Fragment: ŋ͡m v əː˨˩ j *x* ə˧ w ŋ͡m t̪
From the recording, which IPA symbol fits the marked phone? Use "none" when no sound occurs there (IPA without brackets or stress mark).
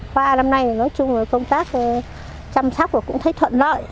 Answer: k